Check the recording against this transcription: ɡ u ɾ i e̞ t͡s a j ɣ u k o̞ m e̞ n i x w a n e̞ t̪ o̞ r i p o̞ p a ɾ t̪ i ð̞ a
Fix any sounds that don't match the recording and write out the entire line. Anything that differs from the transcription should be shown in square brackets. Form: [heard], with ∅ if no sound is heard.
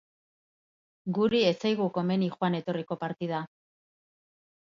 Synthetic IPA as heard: ɡ u ɾ i e̞ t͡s a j ɣ u k o̞ m e̞ n i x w a n e̞ t̪ o̞ r i [k] o̞ p a ɾ t̪ i ð̞ a